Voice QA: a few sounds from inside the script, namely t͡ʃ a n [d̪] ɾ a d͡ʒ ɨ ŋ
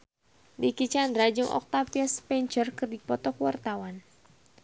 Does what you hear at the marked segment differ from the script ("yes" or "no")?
no